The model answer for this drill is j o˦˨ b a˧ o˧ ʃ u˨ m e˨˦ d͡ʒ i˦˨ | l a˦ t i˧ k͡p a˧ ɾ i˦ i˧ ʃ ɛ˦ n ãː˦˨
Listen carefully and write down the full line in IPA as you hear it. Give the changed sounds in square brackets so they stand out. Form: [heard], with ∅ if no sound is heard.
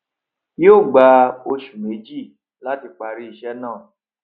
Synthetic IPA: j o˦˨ [ɡ͡b] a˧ o˧ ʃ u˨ m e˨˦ d͡ʒ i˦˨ | l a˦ t i˧ k͡p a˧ ɾ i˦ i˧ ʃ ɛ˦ n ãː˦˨